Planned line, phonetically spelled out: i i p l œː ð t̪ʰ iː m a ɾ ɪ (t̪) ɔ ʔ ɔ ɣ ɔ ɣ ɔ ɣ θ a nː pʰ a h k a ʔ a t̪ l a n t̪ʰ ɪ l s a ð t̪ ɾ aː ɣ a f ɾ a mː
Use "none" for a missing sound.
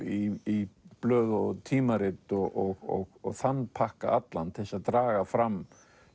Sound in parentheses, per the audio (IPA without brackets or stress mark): t̪